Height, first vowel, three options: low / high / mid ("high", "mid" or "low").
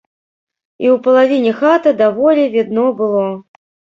high